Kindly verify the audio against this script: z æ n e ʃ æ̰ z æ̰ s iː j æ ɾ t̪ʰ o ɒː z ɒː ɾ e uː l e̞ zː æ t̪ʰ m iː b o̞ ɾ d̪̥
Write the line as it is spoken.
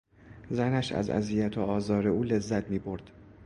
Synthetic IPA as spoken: z æ n æ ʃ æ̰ z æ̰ z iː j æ t̪ʰ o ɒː z ɒː ɾ e uː l e̞ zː æ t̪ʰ m iː b o̞ ɾ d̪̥